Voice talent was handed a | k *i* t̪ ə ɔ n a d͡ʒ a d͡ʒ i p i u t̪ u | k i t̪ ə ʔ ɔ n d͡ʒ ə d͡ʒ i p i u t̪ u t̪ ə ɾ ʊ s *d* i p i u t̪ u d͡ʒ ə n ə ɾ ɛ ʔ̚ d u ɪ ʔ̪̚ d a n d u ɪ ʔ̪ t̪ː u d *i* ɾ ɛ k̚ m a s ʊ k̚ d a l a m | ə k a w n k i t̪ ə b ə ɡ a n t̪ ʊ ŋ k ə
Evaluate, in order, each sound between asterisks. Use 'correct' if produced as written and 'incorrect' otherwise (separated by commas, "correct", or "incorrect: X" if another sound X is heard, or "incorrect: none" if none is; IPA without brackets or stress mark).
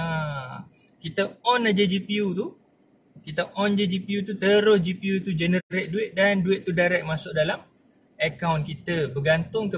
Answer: correct, incorrect: d͡ʒ, incorrect: a